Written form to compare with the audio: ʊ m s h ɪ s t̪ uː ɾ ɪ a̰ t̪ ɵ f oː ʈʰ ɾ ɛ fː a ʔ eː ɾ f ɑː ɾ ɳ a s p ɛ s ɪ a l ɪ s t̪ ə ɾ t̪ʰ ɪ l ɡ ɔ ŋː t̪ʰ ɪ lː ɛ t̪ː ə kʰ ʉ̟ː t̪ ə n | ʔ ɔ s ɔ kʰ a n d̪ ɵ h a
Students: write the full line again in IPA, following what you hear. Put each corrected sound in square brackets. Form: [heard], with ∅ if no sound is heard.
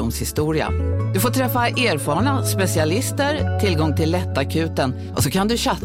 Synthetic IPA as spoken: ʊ m s h ɪ s t̪ uː ɾ ɪ a̰ [d̪] ɵ f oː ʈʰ ɾ ɛ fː a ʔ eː ɾ f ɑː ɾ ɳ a s p ɛ s ɪ a l ɪ s t̪ ə ɾ t̪ʰ ɪ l ɡ ɔ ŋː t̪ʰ ɪ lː ɛ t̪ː [a] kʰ ʉ̟ː t̪ ə n | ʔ ɔ s ɔ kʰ a n d̪ ɵ [ɕ] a